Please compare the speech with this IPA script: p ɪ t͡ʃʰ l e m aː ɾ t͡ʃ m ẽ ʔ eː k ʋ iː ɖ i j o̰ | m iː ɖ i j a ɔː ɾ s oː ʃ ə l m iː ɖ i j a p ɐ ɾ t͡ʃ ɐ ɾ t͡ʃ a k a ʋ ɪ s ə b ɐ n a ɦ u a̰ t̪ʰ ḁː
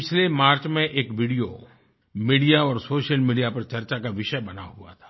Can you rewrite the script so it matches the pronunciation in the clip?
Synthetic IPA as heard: p ɪ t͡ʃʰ l e m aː ɾ t͡ʃ m ẽ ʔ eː k ʋ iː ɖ i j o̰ | m iː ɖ i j a ɔː ɾ s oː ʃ ə l m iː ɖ i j a p ɐ ɾ t͡ʃ ɐ ɾ t͡ʃ a k a ʋ ɪ ʃ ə b ɐ n a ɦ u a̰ t̪ʰ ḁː